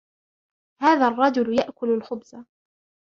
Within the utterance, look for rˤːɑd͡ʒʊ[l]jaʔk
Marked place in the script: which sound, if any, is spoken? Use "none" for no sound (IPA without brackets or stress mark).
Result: l